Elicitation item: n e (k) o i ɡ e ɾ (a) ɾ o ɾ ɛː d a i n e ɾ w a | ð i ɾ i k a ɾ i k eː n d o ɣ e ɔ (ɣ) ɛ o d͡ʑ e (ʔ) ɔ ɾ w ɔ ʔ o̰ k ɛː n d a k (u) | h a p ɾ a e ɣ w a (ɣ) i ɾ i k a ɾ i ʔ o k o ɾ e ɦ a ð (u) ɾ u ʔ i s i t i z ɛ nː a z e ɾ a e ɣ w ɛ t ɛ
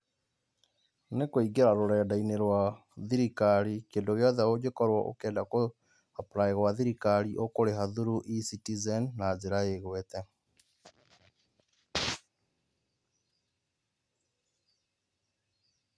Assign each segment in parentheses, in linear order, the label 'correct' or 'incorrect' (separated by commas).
correct, correct, incorrect, incorrect, incorrect, incorrect, correct